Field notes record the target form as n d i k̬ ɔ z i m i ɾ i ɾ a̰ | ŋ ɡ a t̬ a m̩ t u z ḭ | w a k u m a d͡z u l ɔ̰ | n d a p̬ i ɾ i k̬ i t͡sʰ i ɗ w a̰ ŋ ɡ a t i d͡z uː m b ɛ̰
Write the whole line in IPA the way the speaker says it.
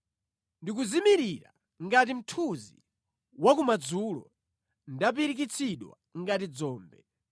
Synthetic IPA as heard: n d i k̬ u z i m i ɾ i ɾ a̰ | ŋ ɡ a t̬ i m̩ tʰ u z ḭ | w a k u m a d͡z u l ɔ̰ | n d a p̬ i ɾ i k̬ i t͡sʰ i ɗ w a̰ ŋ ɡ a t i d͡z ɔː m b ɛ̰